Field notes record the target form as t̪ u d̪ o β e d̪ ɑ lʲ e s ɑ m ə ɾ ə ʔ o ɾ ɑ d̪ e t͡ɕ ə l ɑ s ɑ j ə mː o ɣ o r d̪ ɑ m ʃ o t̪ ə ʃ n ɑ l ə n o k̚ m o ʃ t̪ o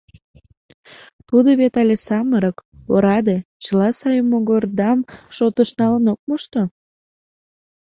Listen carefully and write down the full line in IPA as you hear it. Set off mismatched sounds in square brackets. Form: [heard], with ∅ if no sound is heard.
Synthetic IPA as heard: t̪ u d̪ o β e [t̪] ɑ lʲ e s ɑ m ə ɾ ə [k] o ɾ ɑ d̪ e t͡ɕ ə l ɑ s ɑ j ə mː o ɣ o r d̪ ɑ m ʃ o t̪ ə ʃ n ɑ l ə n o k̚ m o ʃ t̪ o

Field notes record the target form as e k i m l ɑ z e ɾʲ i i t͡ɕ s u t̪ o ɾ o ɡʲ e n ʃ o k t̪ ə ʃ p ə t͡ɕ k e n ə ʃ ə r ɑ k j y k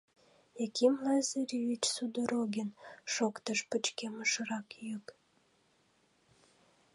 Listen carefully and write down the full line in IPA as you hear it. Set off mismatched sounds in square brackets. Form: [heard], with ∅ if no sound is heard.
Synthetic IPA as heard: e k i m l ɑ z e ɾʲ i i t͡ɕ s u [d̪] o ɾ o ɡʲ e n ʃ o k t̪ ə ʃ p ə t͡ɕ k e [m] ə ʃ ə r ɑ k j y k

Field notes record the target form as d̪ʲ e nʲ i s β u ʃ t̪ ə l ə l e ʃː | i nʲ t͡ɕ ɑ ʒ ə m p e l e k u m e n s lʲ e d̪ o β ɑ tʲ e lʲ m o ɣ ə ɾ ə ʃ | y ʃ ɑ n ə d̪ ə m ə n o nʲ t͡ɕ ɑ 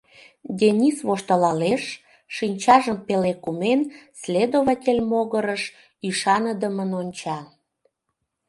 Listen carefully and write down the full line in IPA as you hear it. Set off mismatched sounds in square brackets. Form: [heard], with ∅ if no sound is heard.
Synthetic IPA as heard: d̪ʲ e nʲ i s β [o] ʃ t̪ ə l [ɑ] l e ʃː | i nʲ t͡ɕ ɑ ʒ ə m p e l e k u m e n s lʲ e d̪ o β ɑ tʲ e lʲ m o ɣ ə ɾ ə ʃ | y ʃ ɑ n ə d̪ ə m ə n o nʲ t͡ɕ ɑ

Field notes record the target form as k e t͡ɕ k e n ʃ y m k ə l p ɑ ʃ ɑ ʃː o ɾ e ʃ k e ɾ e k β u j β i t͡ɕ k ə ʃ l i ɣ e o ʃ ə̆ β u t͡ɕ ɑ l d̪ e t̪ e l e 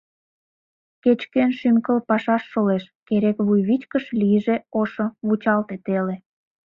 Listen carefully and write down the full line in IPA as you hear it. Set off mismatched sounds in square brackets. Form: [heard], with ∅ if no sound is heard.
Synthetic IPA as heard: k e t͡ɕ k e n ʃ y m k ə l p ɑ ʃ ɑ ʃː o [l] e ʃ k e ɾ e k β u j β i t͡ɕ k ə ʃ l i [ʒ] e o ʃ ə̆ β u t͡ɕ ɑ l [t̪] e t̪ e l e

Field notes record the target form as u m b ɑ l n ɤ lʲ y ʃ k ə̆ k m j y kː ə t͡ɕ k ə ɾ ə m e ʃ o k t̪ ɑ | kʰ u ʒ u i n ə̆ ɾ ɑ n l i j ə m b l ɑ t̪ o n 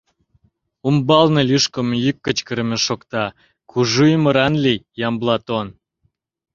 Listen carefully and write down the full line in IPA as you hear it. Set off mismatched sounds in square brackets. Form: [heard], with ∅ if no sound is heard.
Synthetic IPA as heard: u m b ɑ l n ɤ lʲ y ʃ k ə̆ [∅] m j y kː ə t͡ɕ k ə ɾ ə m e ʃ o k t̪ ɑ | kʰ u ʒ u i [m] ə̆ ɾ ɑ n l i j [ɑ] m b l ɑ t̪ o n

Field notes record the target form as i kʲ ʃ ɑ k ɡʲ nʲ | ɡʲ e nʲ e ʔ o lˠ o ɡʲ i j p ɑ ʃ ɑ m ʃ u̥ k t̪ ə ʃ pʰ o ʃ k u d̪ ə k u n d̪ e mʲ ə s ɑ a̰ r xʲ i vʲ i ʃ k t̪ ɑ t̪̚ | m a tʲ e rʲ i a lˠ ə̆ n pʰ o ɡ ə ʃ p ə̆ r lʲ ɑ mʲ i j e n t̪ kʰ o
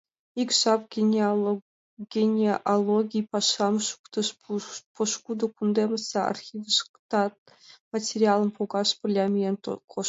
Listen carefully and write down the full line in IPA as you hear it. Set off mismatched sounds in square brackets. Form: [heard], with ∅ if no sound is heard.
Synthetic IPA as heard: i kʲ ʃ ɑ [p] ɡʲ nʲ | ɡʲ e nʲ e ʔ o lˠ o ɡʲ i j p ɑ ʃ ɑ m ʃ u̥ k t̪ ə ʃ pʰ o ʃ k u d̪ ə k u n d̪ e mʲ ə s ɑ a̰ r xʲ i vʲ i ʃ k t̪ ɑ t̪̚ | m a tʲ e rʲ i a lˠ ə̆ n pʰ o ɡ [ɑ] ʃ p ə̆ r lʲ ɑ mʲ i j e n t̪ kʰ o

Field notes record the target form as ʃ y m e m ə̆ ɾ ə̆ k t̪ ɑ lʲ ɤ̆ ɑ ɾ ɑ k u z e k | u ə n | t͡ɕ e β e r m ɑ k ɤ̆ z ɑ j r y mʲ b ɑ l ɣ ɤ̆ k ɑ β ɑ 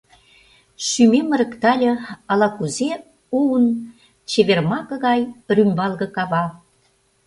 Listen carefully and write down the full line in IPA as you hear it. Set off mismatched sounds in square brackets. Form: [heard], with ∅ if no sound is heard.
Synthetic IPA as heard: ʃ y m e m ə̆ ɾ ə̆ k t̪ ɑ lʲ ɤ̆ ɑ [l] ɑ k u z e [∅] | u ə n | t͡ɕ e β e r m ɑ k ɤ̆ [ɣ] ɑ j r y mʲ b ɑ l ɣ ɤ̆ k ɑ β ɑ

